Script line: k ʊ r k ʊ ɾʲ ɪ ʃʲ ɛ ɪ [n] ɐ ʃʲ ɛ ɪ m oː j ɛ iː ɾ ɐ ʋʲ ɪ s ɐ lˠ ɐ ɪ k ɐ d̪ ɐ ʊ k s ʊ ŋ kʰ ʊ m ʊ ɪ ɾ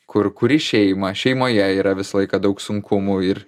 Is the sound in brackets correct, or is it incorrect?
incorrect